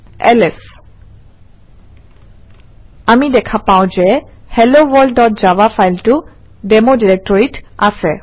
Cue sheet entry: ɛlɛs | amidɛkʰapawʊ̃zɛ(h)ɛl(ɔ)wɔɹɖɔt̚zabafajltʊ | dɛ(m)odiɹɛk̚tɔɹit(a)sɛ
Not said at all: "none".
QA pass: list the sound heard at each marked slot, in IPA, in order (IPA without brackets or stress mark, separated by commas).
h, o, m, a